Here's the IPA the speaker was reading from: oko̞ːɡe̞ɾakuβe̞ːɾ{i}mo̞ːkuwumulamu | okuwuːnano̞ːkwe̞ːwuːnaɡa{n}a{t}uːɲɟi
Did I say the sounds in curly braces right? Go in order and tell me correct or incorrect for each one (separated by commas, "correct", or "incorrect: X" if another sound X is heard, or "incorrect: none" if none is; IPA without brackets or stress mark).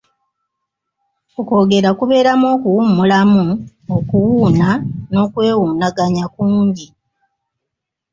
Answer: incorrect: a, incorrect: ɲ, incorrect: k